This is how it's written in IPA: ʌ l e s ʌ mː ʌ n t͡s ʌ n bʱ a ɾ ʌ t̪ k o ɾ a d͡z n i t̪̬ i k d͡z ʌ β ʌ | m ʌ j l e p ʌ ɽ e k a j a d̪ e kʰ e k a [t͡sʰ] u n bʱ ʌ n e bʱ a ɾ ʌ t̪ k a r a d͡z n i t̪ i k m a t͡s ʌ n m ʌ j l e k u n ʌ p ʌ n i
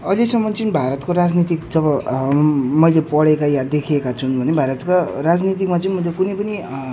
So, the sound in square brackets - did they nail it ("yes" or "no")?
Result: yes